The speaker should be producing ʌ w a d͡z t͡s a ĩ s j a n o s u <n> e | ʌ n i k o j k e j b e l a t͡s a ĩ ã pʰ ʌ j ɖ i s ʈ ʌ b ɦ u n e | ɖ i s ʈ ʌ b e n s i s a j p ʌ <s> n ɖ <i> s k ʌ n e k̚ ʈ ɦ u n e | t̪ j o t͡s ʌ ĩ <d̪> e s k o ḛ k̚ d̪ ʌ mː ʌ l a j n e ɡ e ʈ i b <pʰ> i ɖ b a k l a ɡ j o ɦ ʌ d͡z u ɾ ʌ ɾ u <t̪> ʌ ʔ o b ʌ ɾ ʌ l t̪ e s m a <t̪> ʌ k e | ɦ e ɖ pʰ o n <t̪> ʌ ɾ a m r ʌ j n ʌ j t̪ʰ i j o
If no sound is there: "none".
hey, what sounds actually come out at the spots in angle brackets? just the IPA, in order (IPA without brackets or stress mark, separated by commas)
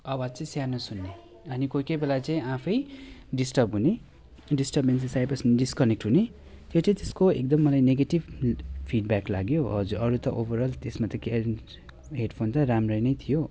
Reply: nː, s, i, t̪, pʰ, t̪, t̪, t̪